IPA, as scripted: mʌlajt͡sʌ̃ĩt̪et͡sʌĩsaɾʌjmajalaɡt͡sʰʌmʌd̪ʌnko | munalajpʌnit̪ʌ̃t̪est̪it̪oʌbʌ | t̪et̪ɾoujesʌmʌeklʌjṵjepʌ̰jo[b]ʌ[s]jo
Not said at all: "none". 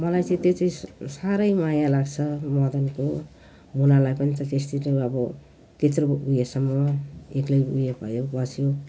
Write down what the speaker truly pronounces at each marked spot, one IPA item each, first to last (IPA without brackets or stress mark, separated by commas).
b, s